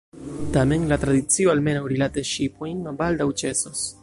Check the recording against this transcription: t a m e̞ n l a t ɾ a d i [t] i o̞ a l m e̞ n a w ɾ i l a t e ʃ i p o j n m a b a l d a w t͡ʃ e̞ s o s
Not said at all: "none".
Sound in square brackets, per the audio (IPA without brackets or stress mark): t͡s